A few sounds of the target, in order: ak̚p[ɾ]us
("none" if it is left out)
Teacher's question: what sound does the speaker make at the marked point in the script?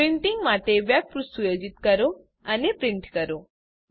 ɾ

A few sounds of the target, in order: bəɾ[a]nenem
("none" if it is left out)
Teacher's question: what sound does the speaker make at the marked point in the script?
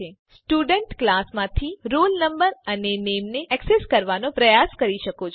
ə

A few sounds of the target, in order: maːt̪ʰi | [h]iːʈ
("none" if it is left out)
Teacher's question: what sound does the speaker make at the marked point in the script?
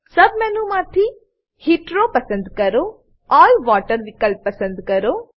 h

